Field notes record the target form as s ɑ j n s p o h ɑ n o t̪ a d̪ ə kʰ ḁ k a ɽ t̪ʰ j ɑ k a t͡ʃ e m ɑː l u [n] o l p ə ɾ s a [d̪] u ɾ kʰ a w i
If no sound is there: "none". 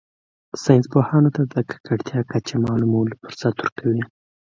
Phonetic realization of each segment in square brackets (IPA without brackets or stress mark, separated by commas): m, t̪